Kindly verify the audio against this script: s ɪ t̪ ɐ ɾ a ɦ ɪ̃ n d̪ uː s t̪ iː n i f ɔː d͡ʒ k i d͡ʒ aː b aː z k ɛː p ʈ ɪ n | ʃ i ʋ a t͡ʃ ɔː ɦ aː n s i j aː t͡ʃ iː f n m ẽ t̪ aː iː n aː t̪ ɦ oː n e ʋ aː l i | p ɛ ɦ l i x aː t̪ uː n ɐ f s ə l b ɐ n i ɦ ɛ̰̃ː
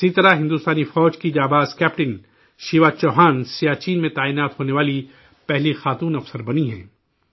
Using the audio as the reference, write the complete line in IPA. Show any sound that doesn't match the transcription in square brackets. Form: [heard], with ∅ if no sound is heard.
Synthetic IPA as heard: s [i] t̪ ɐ ɾ a ɦ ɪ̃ n d̪ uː s t̪ [aː] n i f ɔː d͡ʒ k i d͡ʒ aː b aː z k ɛː p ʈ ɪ n | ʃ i ʋ a t͡ʃ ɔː ɦ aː n s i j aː t͡ʃ iː [∅] n m ẽ t̪ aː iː n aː t̪ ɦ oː n e ʋ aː l i | p ɛ ɦ l i x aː t̪ uː n ɐ f s ə [ɾ] b ɐ n i ɦ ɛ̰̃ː

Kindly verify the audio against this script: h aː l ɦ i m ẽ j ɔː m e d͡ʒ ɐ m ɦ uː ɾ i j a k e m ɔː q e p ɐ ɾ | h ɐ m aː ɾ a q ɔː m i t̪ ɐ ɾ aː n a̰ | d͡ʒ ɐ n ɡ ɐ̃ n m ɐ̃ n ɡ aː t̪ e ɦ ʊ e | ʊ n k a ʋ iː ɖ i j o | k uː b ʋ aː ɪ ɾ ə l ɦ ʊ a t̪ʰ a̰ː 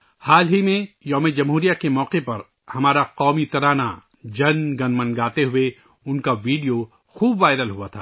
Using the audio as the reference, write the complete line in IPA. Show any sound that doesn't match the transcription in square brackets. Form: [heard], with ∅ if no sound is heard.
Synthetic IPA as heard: h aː l ɦ i m ẽ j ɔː m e d͡ʒ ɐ m ɦ uː ɾ i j a k e m ɔː q e p ɐ ɾ | h ɐ m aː ɾ a q ɔː m i t̪ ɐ ɾ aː n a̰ | d͡ʒ ɐ n ɡ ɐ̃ n m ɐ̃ n ɡ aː t̪ e ɦ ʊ e | ʊ n k a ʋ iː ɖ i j o | [x] uː b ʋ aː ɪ ɾ ə l ɦ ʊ a t̪ʰ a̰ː

